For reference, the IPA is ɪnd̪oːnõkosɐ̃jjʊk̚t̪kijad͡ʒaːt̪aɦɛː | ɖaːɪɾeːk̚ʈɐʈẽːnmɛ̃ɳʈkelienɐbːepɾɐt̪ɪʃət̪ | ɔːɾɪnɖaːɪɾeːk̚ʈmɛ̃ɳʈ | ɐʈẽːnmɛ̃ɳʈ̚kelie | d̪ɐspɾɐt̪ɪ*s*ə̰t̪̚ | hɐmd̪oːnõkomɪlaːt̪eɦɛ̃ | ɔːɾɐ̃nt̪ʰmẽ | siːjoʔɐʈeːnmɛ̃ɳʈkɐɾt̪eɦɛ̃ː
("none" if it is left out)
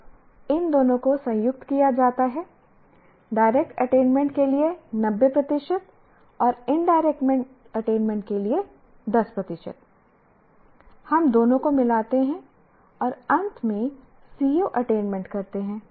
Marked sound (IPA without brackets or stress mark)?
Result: ʃ